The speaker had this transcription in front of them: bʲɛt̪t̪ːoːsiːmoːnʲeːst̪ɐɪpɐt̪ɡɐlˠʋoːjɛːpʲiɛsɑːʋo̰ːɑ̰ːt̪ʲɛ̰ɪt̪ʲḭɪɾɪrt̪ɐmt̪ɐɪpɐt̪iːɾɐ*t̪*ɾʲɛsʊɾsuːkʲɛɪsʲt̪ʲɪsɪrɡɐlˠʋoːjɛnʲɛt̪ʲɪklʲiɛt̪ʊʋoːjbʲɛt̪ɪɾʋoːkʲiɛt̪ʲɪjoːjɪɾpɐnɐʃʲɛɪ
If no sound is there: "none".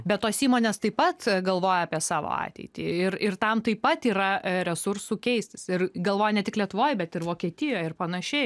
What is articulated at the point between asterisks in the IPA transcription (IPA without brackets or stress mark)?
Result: none